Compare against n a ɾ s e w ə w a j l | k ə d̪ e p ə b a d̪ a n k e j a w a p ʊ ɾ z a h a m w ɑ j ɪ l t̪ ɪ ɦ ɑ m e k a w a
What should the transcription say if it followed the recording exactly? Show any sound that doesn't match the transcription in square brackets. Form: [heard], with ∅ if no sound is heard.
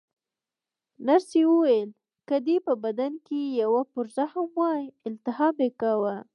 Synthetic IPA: n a ɾ s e w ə w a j l | k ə d̪ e p ə b a d̪ a n k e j a w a p ʊ ɾ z a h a m w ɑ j ɪ l t̪ ɪ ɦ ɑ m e k a w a